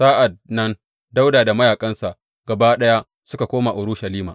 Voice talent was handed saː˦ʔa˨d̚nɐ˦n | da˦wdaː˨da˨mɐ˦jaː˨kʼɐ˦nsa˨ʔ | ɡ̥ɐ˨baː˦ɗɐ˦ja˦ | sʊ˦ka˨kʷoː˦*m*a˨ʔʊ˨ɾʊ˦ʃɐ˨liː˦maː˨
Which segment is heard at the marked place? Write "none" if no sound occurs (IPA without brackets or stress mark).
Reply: m